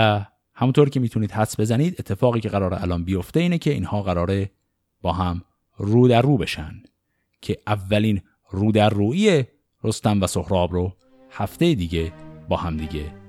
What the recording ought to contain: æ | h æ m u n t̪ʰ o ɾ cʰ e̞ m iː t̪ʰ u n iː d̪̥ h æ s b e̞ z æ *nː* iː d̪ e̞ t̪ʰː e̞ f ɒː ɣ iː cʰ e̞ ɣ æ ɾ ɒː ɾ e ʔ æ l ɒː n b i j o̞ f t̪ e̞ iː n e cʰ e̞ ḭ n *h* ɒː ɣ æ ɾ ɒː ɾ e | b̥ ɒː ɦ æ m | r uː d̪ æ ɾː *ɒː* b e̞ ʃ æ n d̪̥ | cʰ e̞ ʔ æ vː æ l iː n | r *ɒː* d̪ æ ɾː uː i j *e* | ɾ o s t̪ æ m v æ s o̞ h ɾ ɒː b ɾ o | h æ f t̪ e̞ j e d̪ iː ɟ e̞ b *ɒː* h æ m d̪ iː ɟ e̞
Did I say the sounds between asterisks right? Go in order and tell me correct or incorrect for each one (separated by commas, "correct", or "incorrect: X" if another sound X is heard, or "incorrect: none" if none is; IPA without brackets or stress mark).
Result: incorrect: n, correct, incorrect: uː, incorrect: uː, correct, correct